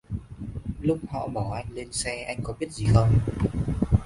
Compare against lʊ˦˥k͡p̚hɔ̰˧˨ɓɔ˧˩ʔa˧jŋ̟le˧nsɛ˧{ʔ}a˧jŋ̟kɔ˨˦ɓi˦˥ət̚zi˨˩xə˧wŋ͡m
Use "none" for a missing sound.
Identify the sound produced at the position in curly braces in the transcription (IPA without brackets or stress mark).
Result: ʔ